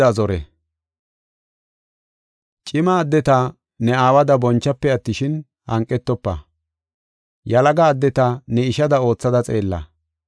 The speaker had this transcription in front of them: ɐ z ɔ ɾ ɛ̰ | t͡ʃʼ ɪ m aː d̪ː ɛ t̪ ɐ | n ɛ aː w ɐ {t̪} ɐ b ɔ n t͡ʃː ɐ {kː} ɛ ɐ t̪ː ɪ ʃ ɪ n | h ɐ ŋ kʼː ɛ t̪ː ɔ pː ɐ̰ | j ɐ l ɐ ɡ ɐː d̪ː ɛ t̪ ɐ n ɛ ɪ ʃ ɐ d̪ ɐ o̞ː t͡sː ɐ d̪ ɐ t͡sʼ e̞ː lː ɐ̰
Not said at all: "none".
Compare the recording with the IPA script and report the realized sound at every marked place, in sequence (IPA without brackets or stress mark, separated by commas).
d̪, pː